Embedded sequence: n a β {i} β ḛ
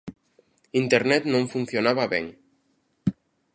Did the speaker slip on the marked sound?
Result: yes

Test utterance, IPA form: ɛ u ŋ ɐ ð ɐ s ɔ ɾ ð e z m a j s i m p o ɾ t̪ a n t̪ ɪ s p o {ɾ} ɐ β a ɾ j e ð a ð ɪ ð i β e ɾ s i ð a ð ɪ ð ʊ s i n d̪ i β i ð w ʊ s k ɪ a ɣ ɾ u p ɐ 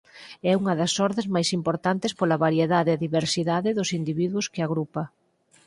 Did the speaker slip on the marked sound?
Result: yes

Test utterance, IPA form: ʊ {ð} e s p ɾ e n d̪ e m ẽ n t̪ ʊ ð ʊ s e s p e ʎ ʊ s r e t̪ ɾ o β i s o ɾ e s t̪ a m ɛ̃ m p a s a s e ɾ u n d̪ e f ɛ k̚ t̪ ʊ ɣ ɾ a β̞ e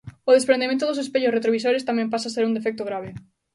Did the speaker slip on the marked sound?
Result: no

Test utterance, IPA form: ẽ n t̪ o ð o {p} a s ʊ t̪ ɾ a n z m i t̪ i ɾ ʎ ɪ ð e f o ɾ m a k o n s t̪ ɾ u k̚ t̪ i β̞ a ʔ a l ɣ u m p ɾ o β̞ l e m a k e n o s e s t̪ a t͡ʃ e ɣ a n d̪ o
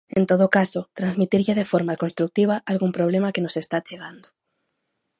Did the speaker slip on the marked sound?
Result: yes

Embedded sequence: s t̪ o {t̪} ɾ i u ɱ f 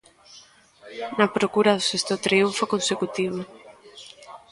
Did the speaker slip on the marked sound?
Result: no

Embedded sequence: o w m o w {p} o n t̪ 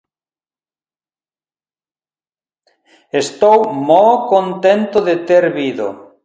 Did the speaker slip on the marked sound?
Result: yes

